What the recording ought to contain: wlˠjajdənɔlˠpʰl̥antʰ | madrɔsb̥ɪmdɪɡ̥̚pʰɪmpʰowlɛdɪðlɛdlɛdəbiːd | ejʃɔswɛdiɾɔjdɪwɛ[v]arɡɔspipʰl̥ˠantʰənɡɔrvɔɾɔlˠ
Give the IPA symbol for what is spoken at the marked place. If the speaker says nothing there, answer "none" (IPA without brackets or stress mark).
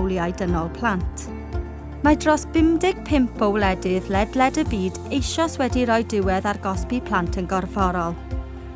ð